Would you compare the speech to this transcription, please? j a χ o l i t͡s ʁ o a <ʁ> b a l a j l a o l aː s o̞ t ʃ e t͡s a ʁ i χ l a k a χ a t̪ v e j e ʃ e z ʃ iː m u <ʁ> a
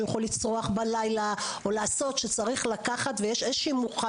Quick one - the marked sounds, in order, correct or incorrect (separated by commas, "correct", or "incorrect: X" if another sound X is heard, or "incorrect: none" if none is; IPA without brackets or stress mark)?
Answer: incorrect: χ, incorrect: χ